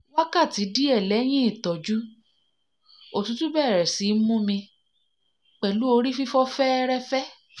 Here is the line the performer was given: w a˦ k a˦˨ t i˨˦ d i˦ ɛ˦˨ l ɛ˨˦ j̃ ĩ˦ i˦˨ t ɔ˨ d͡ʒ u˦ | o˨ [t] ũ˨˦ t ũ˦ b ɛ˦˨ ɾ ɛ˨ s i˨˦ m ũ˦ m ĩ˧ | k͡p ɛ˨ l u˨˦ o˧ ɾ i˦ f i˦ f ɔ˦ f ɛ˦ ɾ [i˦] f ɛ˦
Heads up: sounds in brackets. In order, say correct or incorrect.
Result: correct, incorrect: ɛ˦

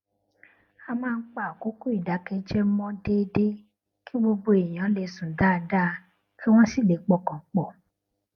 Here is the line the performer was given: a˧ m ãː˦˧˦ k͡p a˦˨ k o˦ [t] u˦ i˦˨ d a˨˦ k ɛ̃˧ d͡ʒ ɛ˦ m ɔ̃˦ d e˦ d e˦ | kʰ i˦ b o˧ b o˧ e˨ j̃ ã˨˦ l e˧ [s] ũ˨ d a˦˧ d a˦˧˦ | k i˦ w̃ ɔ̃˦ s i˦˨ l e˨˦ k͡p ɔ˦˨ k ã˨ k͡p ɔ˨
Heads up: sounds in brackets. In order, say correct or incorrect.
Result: incorrect: k, correct

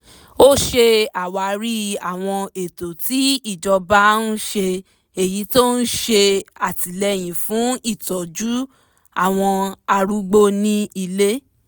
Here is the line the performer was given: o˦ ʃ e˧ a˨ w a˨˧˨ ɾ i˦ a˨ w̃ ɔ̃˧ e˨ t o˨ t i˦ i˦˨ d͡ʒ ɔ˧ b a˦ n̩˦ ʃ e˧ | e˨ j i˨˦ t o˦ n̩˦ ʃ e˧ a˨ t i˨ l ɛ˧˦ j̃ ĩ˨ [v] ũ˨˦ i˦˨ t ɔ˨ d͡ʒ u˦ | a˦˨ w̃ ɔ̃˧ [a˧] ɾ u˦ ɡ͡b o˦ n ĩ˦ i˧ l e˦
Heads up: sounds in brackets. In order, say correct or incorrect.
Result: incorrect: f, correct

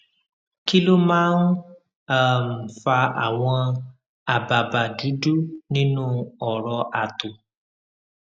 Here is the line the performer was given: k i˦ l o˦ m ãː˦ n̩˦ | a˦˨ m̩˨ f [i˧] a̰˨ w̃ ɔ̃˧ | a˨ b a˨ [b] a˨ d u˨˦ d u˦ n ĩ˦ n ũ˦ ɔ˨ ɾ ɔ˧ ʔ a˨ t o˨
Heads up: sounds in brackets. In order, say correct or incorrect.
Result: incorrect: a˧, correct

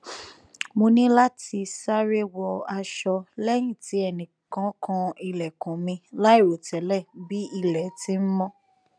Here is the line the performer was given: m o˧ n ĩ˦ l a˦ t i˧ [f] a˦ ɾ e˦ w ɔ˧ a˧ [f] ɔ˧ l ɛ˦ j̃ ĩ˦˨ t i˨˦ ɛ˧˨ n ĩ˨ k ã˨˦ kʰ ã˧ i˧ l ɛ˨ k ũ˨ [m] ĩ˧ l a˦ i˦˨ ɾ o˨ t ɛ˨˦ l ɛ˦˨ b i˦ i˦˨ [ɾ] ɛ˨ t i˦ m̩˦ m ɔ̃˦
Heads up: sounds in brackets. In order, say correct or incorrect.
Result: incorrect: s, incorrect: ʃ, correct, incorrect: l

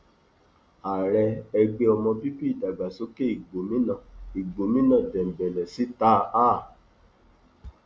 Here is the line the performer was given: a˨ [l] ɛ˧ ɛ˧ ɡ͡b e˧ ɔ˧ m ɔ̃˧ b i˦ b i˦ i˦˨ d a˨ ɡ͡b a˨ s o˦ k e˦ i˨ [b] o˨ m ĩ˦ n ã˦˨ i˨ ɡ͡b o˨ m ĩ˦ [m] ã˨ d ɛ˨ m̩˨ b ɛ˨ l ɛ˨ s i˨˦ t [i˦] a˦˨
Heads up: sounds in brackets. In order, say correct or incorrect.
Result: incorrect: ɾ, incorrect: ɡ͡b, incorrect: n, incorrect: a˦

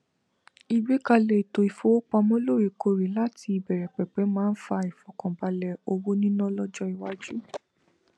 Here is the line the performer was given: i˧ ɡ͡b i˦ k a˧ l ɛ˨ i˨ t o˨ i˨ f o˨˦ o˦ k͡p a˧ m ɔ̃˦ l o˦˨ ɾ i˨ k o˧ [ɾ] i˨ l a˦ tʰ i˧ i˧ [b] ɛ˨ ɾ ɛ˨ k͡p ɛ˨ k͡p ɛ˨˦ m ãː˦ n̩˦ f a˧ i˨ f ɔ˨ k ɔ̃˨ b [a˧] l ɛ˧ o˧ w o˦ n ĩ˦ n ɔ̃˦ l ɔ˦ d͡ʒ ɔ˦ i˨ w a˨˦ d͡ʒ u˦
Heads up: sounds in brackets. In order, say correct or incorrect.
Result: correct, correct, correct

